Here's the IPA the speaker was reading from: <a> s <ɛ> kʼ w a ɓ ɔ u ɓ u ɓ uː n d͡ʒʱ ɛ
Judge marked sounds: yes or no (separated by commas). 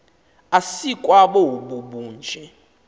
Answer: yes, no